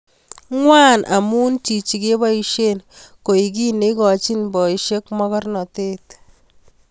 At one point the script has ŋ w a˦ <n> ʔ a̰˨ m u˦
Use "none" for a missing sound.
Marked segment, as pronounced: n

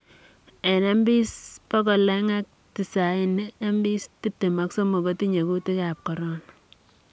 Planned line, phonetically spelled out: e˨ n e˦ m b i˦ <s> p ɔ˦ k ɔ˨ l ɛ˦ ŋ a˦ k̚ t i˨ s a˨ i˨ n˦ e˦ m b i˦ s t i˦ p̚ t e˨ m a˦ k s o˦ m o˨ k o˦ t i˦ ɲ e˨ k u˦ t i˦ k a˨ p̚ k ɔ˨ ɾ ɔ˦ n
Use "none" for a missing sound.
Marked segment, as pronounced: s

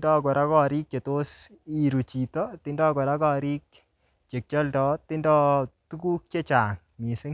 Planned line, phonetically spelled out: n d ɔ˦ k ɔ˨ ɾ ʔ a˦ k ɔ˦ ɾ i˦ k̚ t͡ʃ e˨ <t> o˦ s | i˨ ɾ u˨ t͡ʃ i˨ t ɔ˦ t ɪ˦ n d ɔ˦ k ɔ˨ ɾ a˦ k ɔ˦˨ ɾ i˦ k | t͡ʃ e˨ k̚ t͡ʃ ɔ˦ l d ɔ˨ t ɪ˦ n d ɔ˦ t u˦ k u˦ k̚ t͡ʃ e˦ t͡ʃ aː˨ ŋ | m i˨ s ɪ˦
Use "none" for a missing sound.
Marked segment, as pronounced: t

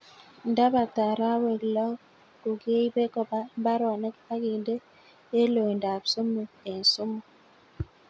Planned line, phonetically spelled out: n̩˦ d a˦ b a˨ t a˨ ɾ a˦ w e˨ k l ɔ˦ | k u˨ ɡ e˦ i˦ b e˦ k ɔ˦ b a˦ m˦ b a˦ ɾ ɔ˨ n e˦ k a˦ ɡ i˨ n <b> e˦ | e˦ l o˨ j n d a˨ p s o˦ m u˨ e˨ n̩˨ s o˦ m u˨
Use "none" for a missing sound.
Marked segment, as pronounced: d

